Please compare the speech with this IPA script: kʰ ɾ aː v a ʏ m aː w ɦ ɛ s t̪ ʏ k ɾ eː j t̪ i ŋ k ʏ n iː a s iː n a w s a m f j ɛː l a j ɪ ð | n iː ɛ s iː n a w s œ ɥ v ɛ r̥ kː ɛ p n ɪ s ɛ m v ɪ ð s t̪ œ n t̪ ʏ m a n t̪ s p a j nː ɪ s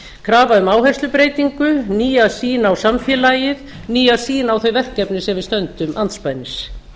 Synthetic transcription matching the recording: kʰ ɾ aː v a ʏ m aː w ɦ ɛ s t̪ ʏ p ɾ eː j t̪ i ŋ k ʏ n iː a s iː n a w s a m f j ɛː l a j ɪ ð | n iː a s iː n a w θ œ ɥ v ɛ r̥ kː ɛ p n ɪ s ɛ m v ɪ ð s t̪ œ n t̪ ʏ m a n t̪ s p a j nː ɪ s